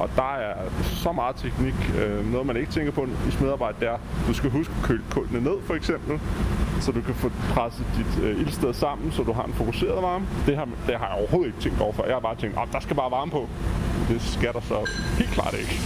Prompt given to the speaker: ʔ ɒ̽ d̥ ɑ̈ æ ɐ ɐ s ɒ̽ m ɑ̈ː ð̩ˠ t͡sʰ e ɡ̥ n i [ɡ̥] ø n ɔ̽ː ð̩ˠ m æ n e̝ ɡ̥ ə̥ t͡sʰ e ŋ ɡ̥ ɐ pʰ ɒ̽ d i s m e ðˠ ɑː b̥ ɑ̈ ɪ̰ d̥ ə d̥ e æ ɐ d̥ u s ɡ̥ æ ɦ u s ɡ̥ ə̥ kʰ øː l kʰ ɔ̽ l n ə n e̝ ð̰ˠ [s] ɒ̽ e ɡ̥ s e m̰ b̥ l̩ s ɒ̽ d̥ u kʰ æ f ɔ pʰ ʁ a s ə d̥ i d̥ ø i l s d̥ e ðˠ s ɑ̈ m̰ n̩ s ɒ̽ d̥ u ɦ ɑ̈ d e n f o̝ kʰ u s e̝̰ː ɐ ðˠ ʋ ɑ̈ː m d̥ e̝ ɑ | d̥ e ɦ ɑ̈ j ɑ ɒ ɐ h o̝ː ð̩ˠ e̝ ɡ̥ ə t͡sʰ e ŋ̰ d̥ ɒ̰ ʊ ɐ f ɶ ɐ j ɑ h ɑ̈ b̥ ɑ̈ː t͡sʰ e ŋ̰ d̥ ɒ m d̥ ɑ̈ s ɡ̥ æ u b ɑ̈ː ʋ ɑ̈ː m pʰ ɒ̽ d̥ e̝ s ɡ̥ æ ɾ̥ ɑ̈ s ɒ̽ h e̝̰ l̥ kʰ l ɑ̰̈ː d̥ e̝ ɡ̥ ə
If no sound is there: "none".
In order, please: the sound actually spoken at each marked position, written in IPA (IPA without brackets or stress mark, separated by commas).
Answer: ɡ̥, f